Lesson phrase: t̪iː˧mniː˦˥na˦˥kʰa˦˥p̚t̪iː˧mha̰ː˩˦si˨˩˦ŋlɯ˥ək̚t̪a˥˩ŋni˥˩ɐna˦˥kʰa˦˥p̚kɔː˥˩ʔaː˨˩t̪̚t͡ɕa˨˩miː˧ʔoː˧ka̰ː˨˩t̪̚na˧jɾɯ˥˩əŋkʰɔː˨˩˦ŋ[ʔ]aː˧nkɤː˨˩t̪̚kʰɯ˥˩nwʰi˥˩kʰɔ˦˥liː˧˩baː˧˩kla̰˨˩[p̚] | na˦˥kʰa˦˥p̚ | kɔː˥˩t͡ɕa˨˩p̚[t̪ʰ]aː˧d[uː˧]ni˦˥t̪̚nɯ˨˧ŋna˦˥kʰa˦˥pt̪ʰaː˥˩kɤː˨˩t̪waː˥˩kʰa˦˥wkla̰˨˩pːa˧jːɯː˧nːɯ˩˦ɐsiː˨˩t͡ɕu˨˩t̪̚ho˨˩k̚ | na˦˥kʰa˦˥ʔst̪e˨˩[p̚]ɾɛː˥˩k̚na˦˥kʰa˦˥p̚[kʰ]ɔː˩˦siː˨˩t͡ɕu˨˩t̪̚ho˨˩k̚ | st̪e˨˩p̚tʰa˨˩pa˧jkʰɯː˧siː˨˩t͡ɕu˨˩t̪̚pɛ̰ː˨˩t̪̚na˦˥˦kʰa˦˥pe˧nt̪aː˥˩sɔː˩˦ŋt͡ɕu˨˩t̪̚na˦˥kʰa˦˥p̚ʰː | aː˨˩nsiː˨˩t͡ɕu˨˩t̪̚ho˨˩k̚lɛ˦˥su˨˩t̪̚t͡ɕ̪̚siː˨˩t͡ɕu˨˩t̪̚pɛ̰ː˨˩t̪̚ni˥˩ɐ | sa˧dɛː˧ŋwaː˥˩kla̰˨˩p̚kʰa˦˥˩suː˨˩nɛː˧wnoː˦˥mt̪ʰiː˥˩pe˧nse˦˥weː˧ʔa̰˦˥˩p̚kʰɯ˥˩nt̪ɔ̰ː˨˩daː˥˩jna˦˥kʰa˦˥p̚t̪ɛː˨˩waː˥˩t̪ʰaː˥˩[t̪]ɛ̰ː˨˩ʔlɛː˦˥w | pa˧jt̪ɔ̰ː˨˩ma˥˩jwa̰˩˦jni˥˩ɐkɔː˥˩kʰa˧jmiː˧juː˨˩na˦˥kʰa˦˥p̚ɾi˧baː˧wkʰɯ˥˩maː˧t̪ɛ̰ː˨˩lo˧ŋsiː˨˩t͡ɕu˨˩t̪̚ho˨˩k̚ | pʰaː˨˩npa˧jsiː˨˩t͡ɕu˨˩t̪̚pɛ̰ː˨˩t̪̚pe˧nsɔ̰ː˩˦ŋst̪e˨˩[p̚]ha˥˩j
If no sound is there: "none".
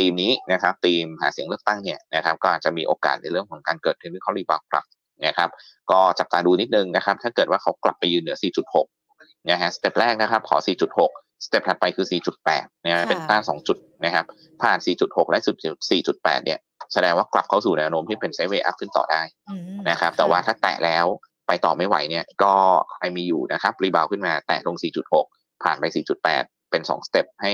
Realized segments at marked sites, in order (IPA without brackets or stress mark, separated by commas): k, p̚, t̪, uː˧, p̚, kʰ, t̪, p̚